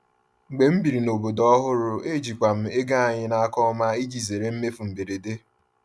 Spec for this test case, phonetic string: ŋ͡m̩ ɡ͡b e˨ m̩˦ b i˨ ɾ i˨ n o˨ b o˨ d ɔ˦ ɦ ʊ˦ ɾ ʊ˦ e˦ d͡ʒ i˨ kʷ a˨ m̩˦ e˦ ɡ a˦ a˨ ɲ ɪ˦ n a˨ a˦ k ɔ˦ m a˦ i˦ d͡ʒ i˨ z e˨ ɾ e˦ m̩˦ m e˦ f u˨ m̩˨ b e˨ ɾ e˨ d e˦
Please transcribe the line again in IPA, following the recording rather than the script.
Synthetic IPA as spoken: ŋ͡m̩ ɡ͡b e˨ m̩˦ b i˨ ɾ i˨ n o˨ b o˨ d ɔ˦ ɦ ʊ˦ ɾ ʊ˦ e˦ d͡ʒ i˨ kʷ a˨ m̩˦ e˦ ɡ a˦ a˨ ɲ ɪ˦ n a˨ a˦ k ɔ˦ m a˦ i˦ d͡ʒ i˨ z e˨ ɾ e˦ m̩˦ m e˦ f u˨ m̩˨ b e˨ ɾ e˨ d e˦